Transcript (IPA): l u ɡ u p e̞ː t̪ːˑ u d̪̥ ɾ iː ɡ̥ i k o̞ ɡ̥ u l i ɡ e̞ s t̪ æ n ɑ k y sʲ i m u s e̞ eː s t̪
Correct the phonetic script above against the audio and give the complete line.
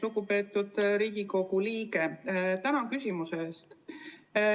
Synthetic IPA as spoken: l u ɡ u p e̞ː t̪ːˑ u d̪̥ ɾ iː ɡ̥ i k o̞ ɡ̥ u l iː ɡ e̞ t̪ æ n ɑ k y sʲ i m u s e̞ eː s t̪